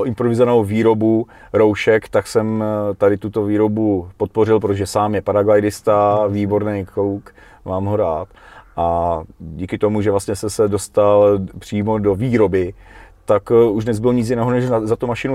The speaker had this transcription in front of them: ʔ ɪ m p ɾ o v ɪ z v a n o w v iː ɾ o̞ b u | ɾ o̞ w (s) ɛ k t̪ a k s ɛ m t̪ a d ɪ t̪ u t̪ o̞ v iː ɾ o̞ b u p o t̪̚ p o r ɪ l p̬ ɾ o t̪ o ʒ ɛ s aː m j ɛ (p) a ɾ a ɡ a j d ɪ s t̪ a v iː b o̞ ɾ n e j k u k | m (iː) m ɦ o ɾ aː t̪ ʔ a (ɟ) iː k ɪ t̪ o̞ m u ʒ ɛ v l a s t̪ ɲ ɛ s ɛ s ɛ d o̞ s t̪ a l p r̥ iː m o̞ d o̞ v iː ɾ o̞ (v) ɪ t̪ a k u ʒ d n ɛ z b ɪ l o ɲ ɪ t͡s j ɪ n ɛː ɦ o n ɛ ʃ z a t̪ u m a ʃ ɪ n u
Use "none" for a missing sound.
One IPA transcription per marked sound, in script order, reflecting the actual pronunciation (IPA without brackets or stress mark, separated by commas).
ʃ, p, aː, ɟ, b